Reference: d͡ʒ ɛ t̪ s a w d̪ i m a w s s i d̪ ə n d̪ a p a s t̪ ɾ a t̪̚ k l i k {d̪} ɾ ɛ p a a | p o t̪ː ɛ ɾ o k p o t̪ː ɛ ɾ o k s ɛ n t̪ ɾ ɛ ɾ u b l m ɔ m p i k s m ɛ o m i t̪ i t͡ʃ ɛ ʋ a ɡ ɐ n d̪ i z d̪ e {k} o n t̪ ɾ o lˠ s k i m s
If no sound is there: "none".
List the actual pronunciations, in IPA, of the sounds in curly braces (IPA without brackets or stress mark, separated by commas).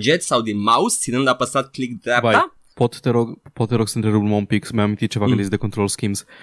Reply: d̪, k